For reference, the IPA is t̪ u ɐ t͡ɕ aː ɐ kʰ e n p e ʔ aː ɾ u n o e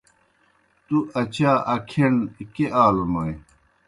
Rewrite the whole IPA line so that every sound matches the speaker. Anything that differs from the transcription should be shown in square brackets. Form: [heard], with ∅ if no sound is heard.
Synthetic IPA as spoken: t̪ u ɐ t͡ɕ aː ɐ kʰ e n [k] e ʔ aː [l] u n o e